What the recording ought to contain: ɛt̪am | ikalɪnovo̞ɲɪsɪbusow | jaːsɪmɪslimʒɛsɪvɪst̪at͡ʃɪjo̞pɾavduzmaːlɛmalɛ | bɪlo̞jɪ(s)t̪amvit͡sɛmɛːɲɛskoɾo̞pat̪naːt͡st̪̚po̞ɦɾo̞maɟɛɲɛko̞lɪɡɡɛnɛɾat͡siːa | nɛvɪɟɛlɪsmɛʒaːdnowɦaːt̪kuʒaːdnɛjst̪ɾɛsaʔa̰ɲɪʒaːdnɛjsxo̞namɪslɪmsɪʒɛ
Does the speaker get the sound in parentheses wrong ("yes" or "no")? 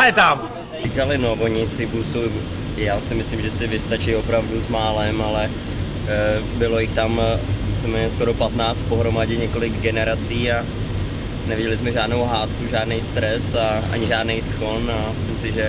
yes